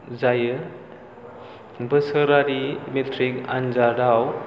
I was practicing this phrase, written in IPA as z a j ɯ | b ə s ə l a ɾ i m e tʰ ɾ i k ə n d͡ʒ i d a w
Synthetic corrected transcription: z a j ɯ | b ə s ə ɾ a ɾ i m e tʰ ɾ i k a n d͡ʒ a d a w